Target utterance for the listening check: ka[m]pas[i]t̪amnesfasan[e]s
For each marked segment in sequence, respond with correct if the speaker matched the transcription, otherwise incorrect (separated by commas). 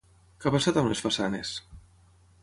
incorrect, incorrect, correct